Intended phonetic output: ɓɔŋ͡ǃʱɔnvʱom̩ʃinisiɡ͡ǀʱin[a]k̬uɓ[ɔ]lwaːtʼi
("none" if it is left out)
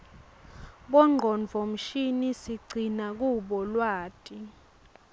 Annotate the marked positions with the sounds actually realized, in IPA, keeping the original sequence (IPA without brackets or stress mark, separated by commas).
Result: a, ɔ